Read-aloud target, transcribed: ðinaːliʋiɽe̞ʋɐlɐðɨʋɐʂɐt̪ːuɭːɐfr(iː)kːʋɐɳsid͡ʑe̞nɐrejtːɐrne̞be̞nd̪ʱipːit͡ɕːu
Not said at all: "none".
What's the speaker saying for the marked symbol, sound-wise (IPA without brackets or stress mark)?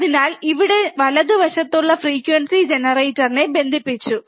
iː